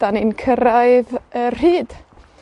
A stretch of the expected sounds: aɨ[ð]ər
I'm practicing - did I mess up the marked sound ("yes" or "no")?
no